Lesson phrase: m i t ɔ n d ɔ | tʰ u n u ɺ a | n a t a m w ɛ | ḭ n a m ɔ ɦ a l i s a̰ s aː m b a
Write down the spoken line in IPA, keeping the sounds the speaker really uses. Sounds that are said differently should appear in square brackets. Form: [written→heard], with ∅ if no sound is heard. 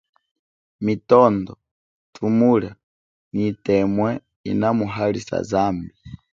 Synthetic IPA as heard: m i t ɔ n d ɔ | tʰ u [n→m] u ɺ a | n [a→i] t [a→ɛ] m w ɛ | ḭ n a m [ɔ→u] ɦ a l i s a̰ [s→z] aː m b [a→i]